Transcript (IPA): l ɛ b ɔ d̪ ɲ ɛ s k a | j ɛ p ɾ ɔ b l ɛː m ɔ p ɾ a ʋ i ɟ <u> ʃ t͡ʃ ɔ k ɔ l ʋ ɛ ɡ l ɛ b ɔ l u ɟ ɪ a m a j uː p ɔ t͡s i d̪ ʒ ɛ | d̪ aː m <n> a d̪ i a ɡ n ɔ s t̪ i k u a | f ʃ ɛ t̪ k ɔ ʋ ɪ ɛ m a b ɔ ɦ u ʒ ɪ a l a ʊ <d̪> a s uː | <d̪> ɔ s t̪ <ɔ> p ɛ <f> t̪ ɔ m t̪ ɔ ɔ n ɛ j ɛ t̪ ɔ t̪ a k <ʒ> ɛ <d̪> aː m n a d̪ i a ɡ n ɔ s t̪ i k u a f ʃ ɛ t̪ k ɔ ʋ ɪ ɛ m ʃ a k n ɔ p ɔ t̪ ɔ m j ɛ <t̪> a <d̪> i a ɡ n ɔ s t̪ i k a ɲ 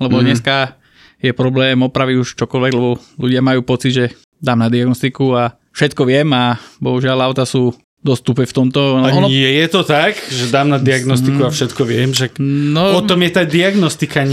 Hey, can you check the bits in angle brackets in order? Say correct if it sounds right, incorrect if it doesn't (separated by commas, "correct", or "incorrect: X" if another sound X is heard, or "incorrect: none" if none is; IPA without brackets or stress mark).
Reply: correct, correct, incorrect: t̪, correct, incorrect: u, correct, correct, correct, correct, correct